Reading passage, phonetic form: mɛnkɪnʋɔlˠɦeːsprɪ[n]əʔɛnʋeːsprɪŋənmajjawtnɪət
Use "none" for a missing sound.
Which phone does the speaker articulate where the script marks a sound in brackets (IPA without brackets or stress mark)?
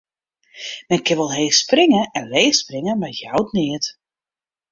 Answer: ŋ